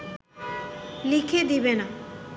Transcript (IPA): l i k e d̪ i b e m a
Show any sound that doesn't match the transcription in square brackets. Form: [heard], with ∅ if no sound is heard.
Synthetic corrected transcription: l i [kʰ] e d̪ i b e [n] a